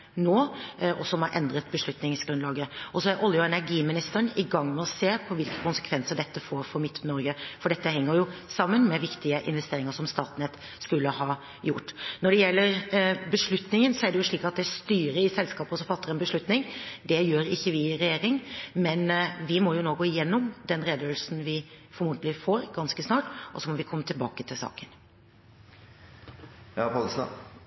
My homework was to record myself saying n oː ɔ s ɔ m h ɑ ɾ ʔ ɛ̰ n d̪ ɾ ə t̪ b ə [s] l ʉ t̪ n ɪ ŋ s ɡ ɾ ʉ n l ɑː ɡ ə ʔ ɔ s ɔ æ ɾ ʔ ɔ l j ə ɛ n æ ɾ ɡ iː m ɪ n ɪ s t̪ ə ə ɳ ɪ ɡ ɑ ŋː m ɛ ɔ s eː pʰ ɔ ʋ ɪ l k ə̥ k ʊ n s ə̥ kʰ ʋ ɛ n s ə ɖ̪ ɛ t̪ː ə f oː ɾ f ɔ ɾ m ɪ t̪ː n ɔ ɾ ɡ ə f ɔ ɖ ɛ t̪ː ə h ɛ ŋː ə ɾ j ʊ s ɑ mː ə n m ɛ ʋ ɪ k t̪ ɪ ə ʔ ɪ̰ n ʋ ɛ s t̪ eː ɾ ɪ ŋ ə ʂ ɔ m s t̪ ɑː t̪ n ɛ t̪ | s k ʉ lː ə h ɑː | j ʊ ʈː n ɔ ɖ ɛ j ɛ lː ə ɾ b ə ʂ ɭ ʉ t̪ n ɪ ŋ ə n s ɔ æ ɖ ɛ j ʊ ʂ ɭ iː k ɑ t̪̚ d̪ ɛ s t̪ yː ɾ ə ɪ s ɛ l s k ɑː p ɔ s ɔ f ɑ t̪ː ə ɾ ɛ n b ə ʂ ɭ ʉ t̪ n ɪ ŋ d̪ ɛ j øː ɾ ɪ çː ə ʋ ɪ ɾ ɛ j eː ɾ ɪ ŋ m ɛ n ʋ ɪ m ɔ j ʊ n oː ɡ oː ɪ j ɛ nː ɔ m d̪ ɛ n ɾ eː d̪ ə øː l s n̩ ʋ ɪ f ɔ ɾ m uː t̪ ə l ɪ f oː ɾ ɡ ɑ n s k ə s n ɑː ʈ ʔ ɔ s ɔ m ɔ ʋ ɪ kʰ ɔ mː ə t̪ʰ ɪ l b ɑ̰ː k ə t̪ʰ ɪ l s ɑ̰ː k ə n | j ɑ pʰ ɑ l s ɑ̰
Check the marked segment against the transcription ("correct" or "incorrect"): incorrect